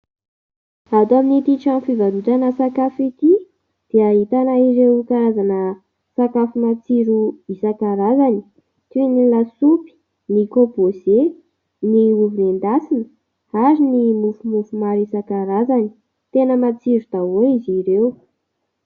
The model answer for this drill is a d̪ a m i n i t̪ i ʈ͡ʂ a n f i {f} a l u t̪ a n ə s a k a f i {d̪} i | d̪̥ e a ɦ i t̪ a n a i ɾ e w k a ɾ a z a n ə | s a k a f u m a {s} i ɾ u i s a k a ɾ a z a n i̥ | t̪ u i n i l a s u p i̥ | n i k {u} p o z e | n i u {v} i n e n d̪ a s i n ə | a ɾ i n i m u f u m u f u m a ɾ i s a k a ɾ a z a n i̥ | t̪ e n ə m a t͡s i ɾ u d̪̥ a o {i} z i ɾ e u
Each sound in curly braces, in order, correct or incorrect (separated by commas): incorrect, incorrect, incorrect, incorrect, correct, correct